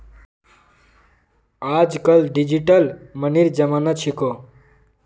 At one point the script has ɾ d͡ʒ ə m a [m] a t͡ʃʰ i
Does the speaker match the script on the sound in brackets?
no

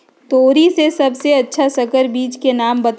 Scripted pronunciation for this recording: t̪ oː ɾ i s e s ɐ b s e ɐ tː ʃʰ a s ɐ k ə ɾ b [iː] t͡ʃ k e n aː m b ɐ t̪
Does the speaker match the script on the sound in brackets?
yes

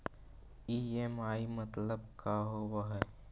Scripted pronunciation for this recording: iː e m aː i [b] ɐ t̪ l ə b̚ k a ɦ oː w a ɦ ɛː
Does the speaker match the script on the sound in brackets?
no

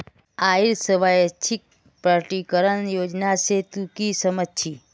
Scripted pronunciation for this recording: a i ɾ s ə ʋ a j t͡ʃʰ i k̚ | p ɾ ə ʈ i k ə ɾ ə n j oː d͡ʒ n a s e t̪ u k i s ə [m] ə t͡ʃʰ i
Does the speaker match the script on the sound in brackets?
yes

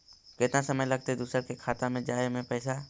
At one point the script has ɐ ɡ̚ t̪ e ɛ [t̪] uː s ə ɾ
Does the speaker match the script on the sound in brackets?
no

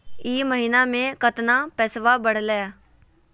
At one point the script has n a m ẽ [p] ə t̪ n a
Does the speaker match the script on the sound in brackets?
no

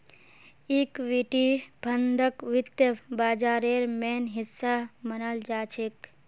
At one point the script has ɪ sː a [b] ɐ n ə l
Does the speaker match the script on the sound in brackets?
no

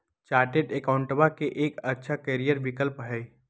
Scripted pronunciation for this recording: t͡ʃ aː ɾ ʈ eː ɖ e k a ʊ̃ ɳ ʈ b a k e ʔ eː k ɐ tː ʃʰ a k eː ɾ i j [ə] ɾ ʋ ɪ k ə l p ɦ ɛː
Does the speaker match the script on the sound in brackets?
yes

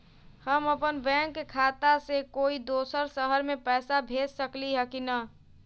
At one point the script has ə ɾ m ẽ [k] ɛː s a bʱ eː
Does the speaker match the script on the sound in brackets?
no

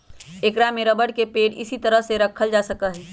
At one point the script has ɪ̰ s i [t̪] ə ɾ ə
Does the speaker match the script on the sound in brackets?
yes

